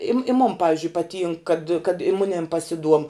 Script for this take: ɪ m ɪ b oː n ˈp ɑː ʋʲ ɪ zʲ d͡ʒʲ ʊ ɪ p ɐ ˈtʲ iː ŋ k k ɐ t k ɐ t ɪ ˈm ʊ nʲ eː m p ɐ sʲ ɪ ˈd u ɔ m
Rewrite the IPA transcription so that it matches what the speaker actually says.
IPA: ɪ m ɪ m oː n ˈp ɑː ʋʲ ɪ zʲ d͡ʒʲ ʊ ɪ p ɐ ˈtʲ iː ŋ k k ɐ t k ɐ t ɪ ˈm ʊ nʲ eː m p ɐ sʲ ɪ ˈd u ɔ m